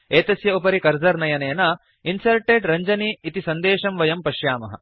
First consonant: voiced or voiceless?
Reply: voiceless